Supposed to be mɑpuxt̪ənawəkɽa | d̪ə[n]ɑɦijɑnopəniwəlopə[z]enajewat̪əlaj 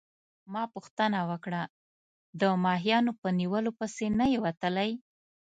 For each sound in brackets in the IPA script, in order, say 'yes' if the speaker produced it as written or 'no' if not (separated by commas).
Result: no, no